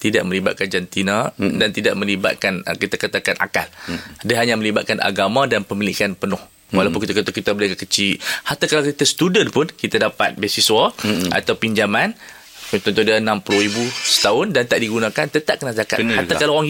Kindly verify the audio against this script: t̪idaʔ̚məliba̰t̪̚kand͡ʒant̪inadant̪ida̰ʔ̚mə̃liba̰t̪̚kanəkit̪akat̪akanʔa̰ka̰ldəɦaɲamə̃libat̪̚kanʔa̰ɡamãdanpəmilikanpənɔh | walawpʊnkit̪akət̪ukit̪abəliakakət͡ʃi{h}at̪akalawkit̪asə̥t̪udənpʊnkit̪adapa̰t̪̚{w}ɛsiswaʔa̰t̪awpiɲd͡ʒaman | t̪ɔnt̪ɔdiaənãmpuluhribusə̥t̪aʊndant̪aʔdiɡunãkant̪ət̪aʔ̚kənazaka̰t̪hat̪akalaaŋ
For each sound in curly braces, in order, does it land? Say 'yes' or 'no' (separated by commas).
yes, no